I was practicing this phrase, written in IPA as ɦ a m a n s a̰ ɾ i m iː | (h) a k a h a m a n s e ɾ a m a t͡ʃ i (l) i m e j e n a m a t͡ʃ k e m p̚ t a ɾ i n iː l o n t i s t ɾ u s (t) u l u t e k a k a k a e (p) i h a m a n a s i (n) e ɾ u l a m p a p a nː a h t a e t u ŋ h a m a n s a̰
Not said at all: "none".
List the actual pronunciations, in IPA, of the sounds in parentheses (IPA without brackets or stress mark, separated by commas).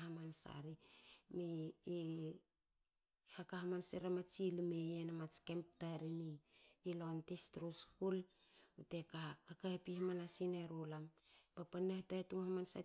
h, l, k, p, n